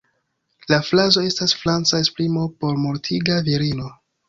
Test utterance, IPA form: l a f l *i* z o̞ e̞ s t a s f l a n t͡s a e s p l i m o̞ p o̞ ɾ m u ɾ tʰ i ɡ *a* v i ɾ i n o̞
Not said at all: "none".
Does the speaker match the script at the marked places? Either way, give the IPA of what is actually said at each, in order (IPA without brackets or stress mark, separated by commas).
a, a